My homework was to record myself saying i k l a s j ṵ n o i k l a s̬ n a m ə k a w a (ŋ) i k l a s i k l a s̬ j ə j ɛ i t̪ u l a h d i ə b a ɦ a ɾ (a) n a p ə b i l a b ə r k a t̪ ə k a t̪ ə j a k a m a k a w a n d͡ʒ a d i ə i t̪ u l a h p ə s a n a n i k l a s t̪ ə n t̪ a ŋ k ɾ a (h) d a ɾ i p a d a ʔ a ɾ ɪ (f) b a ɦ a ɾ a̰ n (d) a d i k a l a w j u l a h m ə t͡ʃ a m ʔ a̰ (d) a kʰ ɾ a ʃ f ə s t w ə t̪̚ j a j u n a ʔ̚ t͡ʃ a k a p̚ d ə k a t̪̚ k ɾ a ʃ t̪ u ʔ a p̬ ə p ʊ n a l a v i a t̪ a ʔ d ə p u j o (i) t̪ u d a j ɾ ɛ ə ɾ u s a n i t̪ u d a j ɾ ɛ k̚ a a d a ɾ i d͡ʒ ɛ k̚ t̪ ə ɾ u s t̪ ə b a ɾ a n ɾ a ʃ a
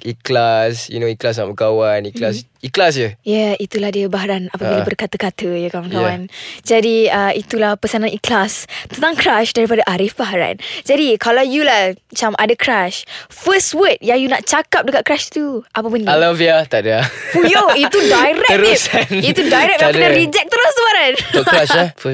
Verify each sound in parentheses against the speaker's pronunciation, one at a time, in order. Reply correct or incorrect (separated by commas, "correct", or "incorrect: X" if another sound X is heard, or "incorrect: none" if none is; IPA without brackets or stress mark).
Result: incorrect: n, correct, incorrect: ʃ, correct, incorrect: d͡ʒ, correct, correct